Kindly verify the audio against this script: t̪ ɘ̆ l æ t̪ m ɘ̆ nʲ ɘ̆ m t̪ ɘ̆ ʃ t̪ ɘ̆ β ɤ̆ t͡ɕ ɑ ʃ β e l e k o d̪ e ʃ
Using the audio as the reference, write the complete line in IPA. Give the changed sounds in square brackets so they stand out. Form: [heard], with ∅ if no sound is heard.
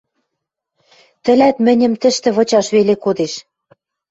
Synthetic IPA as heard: t̪ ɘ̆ l æ t̪ m ɘ̆ nʲ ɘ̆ m t̪ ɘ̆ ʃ t̪ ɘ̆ β ɤ̆ t͡ɕ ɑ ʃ β e l e k o d̪ e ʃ